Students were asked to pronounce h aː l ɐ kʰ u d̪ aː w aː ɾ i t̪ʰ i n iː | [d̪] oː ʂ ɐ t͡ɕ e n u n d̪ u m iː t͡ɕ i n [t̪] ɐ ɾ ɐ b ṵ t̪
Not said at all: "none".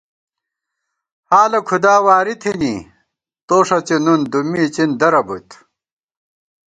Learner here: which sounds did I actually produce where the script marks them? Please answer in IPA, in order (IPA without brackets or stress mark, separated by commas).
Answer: t̪, d̪